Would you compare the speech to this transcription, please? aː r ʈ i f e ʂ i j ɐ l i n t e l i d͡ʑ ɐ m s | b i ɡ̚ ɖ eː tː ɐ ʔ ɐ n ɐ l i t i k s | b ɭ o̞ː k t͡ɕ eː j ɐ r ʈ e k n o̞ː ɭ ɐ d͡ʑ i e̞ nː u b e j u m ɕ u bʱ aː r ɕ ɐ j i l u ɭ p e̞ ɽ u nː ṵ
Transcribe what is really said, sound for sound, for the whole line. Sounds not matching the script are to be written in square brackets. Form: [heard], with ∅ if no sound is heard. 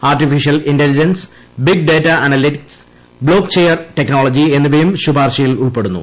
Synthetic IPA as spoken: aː r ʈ i f [i] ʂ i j ɐ l i n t e l i d͡ʑ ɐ [n] s | b i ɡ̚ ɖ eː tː ɐ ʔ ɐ n ɐ l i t i k s | b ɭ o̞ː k t͡ɕ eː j ɐ r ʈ e k n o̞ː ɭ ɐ d͡ʑ i e̞ nː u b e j u m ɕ u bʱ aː r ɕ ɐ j i l u ɭ p e̞ ɽ u nː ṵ